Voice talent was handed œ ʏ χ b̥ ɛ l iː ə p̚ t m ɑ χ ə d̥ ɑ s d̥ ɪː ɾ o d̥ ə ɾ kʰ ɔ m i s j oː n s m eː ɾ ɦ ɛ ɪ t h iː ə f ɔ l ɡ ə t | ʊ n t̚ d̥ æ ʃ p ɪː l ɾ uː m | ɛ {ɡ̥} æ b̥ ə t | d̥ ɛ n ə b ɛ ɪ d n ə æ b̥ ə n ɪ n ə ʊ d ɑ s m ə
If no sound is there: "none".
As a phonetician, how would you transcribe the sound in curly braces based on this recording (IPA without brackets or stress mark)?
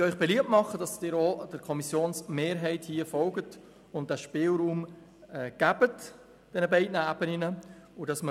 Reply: ɡ̥